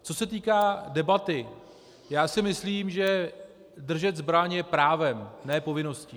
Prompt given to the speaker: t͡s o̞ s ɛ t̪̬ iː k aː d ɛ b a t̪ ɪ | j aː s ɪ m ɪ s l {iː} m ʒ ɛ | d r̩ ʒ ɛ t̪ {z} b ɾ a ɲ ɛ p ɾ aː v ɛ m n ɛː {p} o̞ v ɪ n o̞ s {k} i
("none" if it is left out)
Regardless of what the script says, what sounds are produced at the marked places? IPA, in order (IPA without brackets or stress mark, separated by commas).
iː, z, p, c